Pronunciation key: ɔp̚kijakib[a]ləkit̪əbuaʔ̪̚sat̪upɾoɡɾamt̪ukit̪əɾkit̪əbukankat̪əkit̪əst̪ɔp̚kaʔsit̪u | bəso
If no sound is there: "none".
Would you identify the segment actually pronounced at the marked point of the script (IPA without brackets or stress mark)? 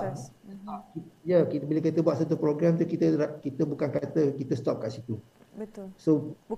i